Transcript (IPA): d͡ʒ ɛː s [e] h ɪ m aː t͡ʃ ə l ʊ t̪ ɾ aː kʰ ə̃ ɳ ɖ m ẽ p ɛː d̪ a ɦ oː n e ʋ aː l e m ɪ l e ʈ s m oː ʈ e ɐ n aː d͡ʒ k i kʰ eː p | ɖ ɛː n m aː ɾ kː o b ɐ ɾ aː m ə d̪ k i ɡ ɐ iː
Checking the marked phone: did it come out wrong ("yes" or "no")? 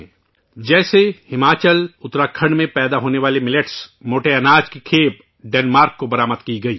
no